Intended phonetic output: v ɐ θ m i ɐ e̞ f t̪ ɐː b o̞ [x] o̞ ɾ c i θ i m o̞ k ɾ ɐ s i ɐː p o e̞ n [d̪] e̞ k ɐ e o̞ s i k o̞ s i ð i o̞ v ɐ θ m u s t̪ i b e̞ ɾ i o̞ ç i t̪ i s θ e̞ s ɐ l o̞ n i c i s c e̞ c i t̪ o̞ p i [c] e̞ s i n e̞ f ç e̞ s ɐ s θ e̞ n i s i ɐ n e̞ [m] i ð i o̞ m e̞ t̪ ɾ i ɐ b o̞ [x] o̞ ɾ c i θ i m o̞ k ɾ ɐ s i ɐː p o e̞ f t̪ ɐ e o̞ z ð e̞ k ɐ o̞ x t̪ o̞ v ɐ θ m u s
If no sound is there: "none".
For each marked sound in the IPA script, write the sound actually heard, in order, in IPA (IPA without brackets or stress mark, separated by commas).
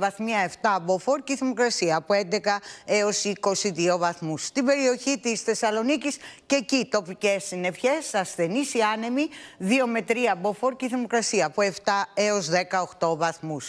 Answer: f, d̪, c, m, f